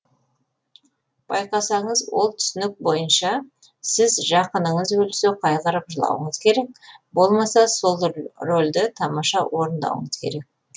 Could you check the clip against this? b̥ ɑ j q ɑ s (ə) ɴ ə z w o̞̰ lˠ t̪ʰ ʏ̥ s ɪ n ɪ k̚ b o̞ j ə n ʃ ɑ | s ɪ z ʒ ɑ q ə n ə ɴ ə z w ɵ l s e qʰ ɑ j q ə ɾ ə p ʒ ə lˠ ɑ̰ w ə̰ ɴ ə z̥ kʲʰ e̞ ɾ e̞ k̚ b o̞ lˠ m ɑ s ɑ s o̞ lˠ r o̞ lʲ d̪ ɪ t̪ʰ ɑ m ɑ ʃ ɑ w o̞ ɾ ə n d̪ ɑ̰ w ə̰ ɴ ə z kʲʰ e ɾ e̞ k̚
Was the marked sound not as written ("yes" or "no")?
yes